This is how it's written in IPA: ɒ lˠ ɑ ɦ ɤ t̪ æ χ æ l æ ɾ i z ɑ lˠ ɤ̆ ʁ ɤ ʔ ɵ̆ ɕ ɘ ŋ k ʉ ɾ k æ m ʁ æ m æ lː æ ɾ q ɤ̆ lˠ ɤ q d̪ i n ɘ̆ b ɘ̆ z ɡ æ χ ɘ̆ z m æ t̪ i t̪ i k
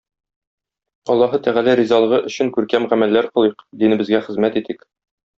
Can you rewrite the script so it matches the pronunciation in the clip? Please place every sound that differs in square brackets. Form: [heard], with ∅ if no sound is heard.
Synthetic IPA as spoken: ɒ [lˠː] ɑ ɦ ɤ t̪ æ [ʁ] æ l æ ɾ i z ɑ lˠ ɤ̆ ʁ ɤ ʔ ɵ̆ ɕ ɘ ŋ k ʉ ɾ k æ m ʁ æ m æ lː æ ɾ q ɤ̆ lˠ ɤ q d̪ i n ɘ̆ b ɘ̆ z ɡ æ χ ɘ̆ z m æ t̪ i t̪ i k